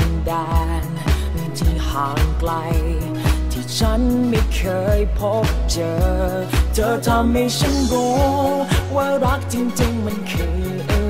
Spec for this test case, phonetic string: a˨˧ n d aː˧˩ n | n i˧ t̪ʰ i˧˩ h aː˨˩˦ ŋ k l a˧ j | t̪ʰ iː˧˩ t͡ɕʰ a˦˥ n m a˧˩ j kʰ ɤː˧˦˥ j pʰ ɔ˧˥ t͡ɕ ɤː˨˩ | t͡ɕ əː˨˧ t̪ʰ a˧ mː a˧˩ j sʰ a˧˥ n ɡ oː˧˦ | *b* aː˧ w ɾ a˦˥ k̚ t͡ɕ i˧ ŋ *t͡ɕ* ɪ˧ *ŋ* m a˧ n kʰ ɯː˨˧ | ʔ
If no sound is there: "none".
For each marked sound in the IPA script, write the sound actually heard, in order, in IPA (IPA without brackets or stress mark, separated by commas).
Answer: w, t͡ɕ, ŋ